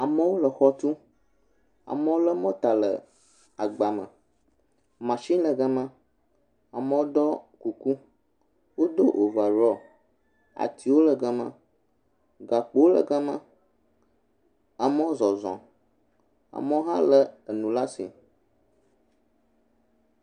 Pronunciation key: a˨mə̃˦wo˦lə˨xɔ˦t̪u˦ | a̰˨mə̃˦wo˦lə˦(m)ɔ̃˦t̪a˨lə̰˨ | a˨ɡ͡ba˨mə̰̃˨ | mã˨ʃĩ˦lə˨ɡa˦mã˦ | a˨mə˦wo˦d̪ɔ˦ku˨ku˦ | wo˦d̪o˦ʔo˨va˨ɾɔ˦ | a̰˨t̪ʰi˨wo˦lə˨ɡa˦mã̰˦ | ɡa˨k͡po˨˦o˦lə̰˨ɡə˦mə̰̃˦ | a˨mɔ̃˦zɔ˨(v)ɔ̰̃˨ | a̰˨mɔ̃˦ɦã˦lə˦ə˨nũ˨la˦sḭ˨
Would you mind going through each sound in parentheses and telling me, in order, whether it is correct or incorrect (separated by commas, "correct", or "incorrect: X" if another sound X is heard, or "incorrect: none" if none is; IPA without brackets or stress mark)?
correct, incorrect: z